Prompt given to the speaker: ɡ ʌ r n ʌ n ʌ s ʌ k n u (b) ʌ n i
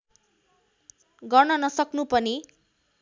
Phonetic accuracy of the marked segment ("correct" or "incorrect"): incorrect